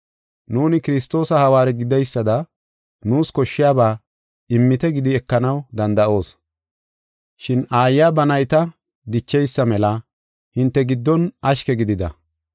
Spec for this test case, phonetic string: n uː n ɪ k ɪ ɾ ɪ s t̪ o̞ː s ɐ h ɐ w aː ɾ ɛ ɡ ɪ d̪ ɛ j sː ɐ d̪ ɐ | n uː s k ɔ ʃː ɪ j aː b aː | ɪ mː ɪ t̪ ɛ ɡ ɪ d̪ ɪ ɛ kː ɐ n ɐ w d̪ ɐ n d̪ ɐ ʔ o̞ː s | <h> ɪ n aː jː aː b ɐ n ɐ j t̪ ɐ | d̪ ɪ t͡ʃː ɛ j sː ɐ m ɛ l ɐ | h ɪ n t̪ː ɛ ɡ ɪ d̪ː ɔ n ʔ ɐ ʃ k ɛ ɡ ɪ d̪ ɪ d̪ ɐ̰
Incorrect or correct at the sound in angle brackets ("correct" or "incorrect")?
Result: incorrect